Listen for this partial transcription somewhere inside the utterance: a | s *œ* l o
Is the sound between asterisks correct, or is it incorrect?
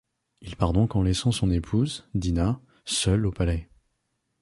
correct